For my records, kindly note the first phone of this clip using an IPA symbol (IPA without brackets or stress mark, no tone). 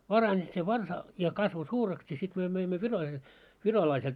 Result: p